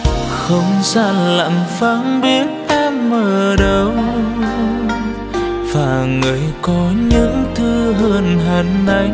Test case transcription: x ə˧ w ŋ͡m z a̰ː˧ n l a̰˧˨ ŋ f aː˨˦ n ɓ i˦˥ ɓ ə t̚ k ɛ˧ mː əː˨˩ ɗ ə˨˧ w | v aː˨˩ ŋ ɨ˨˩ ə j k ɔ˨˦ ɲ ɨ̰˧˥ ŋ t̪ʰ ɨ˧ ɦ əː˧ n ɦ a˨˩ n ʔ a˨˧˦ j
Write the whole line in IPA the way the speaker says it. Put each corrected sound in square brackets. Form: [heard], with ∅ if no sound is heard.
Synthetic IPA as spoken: x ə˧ w ŋ͡m z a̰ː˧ n l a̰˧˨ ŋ f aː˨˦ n ɓ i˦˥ [∅] ə t̚ [ʔ] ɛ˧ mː əː˨˩ ɗ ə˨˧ w | v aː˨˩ ŋ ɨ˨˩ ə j k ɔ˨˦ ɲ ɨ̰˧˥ ŋ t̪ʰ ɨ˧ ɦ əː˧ n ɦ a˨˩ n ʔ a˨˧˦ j